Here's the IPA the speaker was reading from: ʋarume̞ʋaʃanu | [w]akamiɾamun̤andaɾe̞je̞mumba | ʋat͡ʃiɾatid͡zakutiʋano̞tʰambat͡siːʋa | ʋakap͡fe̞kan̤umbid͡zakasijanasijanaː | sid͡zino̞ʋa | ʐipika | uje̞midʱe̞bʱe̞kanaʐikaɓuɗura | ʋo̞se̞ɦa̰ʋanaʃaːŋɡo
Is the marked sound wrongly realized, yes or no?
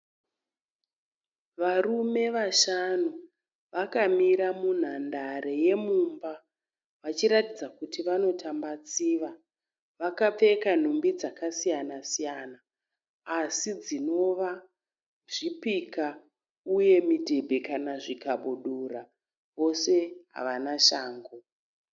yes